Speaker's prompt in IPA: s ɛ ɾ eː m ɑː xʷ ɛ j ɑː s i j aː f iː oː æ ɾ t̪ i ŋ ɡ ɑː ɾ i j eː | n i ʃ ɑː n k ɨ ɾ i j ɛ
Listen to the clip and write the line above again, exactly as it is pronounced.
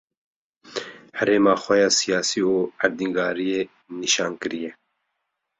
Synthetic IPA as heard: h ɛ ɾ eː m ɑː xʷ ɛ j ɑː s i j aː s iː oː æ ɾ d̪ i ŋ ɡ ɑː ɾ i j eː | n i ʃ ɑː n k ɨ ɾ i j ɛ